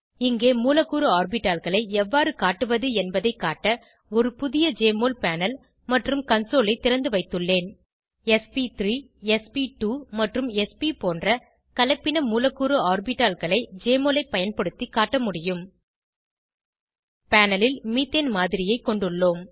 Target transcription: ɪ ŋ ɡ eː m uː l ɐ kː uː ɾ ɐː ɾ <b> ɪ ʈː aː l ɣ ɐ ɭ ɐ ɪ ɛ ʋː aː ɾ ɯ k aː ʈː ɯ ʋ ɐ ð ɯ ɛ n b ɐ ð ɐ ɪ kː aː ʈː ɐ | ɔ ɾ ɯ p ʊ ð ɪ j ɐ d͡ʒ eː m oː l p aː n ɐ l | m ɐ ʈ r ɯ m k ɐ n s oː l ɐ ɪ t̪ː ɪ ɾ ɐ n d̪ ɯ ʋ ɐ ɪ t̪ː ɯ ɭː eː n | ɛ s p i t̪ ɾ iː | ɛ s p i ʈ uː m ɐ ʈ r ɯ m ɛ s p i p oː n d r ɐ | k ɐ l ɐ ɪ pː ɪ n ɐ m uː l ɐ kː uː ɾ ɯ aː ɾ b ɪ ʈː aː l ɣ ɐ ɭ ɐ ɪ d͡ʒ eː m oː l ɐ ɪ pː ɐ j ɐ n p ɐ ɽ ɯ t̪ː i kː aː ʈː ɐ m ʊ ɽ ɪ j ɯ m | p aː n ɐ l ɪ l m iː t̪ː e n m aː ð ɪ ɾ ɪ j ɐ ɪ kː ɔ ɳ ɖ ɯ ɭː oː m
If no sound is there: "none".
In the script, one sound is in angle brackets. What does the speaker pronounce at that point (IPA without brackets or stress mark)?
b